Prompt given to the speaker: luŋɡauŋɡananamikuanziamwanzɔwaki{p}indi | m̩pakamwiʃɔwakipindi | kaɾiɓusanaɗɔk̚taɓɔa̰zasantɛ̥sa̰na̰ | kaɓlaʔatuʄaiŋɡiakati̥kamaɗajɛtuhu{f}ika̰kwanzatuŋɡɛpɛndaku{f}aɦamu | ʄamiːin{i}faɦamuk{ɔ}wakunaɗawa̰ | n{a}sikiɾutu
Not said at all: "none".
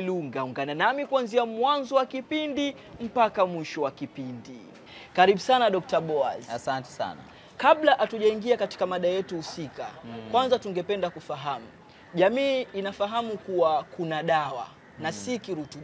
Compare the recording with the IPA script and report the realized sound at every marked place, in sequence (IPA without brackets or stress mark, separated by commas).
p, s, f, a, u, a